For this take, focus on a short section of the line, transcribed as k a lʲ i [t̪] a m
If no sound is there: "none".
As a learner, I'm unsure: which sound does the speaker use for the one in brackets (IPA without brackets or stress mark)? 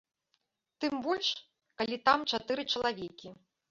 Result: t̪